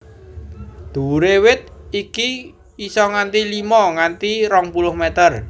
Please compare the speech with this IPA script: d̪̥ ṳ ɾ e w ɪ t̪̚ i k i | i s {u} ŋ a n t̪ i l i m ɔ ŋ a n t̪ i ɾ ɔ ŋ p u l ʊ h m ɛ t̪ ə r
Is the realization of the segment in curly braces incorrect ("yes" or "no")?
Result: yes